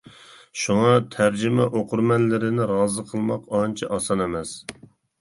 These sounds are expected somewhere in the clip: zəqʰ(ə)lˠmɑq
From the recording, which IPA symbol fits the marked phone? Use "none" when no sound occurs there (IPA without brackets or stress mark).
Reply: ə